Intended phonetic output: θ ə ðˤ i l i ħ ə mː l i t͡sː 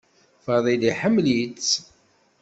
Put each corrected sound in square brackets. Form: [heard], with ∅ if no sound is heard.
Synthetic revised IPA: [f] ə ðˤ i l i ħ ə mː l i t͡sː